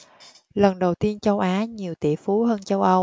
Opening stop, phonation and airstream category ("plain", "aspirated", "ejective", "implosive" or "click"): implosive